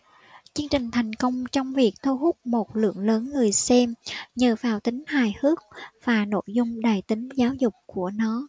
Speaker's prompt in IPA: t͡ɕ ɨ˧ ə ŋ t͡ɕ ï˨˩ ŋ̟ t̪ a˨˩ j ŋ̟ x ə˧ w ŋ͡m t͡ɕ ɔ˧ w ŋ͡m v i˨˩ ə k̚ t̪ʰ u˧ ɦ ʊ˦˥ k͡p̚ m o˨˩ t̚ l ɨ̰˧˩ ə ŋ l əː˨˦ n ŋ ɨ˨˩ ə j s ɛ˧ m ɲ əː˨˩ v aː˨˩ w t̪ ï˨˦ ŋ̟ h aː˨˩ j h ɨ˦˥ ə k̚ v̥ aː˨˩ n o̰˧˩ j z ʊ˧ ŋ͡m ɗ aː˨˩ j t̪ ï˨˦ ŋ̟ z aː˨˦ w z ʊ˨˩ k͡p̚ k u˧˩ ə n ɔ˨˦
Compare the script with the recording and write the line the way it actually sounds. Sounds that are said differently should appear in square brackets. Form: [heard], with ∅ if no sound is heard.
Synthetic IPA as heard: t͡ɕ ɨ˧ ə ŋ t͡ɕ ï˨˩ ŋ̟ [t̪ʰ] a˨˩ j ŋ̟ [k] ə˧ w ŋ͡m t͡ɕ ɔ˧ w ŋ͡m v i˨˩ ə k̚ t̪ʰ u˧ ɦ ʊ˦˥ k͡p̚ m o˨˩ t̚ l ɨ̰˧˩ ə ŋ l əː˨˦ n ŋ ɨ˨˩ ə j s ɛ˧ m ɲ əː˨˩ v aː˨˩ w t̪ ï˨˦ ŋ̟ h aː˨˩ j h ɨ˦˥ ə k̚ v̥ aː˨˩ n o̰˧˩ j z ʊ˧ ŋ͡m ɗ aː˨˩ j t̪ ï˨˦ ŋ̟ z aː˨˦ w z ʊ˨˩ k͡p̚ k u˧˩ ə n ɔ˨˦